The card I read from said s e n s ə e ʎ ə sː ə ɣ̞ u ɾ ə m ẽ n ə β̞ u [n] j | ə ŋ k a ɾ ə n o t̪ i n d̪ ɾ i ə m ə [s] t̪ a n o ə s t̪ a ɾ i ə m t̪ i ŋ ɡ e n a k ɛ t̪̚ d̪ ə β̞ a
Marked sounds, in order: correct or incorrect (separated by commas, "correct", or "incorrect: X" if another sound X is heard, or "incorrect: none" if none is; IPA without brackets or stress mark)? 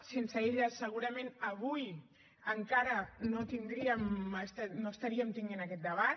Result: incorrect: none, correct